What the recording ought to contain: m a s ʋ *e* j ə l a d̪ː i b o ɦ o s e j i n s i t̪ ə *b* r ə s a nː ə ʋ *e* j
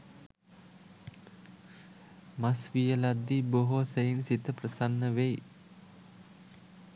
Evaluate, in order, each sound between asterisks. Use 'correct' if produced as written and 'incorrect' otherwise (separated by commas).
incorrect, incorrect, correct